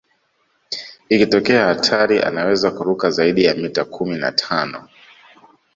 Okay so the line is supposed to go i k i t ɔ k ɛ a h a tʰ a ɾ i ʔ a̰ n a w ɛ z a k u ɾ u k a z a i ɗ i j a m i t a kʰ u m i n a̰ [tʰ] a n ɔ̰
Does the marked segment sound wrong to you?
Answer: no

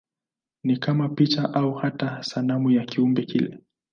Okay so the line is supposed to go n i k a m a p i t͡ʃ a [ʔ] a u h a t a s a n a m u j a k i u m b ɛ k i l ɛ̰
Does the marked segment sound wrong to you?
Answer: no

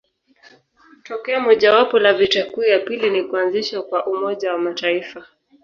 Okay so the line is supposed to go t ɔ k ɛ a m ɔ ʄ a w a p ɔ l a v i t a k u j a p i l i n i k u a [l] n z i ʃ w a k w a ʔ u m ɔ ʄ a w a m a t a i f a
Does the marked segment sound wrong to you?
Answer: yes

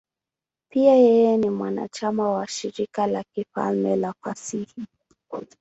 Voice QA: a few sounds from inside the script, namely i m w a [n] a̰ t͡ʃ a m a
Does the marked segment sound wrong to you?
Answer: no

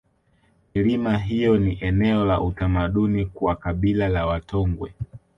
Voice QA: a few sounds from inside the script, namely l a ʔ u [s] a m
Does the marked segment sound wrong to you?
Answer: yes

